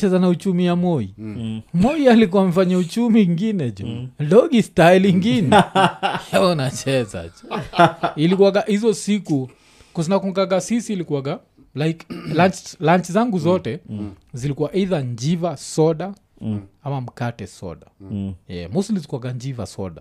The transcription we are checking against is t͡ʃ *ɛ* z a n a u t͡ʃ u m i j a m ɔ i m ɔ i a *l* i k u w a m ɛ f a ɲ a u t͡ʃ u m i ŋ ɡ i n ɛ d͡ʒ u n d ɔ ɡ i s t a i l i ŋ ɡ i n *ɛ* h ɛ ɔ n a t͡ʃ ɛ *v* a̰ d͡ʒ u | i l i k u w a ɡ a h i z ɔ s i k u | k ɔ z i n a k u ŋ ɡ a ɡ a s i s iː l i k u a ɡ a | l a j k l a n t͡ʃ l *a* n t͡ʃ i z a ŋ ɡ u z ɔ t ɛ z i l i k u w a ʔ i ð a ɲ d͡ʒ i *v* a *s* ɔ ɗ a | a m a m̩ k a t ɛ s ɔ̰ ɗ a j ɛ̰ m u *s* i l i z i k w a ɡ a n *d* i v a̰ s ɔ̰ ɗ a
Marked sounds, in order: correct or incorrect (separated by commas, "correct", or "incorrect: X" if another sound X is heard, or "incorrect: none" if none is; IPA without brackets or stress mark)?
correct, correct, correct, incorrect: z, correct, correct, correct, correct, incorrect: d͡ʒ